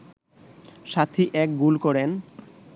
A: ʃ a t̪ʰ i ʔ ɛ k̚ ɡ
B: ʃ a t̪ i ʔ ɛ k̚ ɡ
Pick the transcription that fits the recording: A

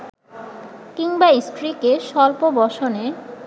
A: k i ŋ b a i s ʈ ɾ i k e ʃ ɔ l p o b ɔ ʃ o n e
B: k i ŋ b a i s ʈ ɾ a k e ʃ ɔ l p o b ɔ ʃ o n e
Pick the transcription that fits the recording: A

